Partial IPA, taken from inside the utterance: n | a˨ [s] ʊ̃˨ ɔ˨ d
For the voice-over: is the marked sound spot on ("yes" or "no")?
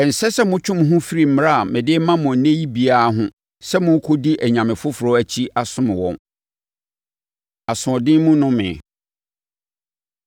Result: yes